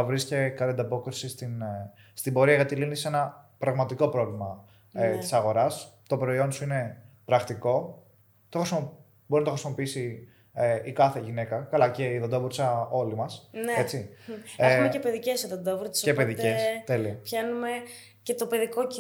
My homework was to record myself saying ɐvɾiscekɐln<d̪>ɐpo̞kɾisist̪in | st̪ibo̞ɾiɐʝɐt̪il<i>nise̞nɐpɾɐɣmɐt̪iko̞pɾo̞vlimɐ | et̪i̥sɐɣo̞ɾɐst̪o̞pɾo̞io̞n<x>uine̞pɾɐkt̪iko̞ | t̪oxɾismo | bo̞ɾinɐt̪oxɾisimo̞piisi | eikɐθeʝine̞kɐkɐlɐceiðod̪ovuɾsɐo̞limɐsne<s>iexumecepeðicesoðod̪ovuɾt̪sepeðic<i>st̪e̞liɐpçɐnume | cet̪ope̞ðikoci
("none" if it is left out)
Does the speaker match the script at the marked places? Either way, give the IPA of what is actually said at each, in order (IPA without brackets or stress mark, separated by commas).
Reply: d̪, i, s, t͡s, e